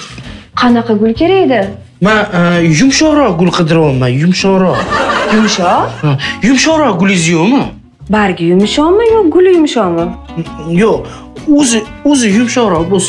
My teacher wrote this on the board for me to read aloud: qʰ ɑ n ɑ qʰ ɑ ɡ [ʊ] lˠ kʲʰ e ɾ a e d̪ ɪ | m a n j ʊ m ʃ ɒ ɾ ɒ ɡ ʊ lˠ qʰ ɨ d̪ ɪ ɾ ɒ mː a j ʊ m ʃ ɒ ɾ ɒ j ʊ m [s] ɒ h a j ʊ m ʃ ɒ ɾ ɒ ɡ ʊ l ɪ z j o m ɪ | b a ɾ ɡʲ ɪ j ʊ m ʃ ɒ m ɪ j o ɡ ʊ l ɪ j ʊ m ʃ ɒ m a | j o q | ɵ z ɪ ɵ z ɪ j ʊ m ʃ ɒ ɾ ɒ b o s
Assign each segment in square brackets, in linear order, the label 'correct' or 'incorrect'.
correct, incorrect: ʃ

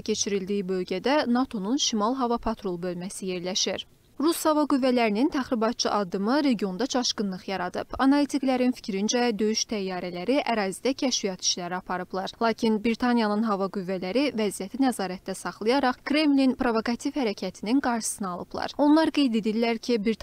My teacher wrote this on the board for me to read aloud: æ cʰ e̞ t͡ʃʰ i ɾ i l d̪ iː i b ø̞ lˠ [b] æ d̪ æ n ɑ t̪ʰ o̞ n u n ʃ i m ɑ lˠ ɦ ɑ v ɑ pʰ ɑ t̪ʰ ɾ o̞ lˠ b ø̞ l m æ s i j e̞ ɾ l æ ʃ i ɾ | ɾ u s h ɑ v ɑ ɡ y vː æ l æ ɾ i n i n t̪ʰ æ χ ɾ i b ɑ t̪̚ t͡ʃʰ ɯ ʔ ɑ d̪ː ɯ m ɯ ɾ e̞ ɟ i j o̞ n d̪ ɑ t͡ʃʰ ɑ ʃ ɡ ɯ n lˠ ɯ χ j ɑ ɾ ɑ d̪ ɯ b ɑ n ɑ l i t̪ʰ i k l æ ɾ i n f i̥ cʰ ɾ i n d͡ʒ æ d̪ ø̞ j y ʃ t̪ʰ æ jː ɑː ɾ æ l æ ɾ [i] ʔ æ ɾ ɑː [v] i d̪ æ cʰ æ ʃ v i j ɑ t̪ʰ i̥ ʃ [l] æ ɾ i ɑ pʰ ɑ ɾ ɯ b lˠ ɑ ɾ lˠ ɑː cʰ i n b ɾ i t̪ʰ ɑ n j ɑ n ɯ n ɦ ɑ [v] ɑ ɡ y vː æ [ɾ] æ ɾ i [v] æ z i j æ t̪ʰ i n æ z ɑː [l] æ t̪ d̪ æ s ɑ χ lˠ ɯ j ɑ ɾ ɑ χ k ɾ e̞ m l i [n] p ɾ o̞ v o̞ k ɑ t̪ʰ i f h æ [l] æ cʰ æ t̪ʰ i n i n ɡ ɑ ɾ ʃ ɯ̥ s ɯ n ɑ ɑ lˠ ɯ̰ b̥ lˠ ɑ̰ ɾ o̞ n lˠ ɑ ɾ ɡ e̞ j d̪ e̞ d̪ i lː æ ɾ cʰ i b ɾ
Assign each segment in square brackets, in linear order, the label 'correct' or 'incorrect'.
incorrect: ɟ, correct, incorrect: z, correct, correct, incorrect: l, correct, incorrect: ɾ, correct, incorrect: ɾ

